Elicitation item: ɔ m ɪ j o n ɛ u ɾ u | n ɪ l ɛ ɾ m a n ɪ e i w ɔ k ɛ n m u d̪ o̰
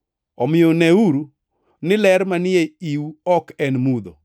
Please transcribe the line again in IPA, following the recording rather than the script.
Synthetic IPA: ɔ m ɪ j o n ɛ u ɾ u | n ɪ l ɛ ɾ m a n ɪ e i w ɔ k ɛ n m u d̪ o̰